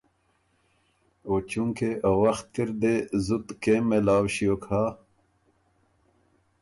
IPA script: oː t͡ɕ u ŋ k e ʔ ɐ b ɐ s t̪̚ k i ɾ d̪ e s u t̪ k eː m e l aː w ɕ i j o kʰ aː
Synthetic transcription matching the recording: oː t͡ɕ u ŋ k e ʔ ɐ w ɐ x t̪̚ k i ɾ d̪ e z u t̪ k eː m e l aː w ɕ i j o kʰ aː